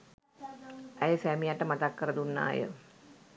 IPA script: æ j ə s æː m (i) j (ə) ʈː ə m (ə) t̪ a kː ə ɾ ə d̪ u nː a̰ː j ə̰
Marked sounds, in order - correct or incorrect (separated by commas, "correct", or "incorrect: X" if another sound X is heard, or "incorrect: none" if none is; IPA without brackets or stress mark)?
correct, incorrect: a, incorrect: a